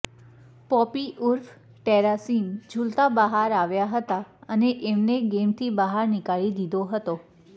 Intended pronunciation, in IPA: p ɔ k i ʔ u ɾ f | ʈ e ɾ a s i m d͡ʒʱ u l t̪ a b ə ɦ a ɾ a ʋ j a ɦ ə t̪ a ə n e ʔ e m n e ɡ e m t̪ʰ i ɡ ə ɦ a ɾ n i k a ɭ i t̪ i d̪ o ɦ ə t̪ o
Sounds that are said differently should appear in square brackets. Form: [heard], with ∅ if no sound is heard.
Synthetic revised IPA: p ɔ [p] i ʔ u ɾ f | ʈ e ɾ a s i m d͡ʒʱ u l t̪ a b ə ɦ a ɾ a ʋ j a ɦ ə t̪ a ə n e ʔ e m n e ɡ e m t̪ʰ i [b] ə ɦ a ɾ n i k a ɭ i [d̪] i d̪ o ɦ ə t̪ o